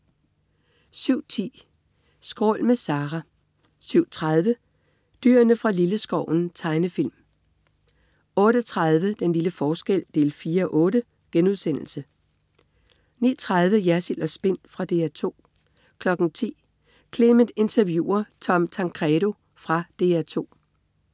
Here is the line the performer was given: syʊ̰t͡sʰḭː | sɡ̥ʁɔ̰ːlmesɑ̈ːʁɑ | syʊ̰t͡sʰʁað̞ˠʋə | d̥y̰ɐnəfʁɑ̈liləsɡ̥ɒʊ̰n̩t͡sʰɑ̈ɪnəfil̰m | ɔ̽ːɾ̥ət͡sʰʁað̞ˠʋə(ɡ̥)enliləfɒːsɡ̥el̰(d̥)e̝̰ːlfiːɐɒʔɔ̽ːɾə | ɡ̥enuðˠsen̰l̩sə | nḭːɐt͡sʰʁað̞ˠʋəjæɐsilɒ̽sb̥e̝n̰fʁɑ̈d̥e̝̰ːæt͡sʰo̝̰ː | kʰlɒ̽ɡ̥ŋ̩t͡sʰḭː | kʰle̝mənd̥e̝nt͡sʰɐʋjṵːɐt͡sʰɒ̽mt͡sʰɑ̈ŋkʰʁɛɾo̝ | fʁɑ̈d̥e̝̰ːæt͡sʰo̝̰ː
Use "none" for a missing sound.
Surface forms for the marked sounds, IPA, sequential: d̥, d̥

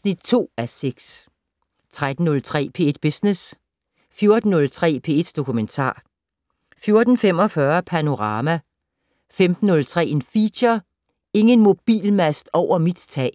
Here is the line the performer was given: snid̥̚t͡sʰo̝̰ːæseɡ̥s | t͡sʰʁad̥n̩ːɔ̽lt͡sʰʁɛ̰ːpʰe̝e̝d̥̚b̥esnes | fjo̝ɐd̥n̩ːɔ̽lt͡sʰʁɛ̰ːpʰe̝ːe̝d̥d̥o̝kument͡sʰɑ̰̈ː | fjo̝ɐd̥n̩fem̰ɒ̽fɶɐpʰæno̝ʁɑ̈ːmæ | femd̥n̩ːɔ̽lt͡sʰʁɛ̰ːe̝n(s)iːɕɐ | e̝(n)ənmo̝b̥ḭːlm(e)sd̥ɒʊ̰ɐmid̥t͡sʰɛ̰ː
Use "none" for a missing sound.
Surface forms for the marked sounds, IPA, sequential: f, ŋ, æ

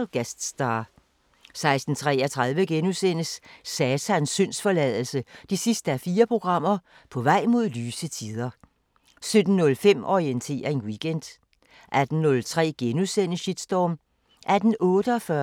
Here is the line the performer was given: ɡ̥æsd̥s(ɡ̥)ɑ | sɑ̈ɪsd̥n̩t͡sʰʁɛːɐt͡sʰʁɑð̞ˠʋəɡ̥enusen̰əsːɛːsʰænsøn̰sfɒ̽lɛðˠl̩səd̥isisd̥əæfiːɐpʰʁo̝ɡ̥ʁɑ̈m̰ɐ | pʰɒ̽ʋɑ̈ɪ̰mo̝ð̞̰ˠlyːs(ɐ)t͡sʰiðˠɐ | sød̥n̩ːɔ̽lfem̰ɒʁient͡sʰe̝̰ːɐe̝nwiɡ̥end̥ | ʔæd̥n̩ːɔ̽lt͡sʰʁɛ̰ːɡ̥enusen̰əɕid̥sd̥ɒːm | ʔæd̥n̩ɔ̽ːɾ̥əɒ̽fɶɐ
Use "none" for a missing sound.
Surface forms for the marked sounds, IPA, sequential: d̥, ə

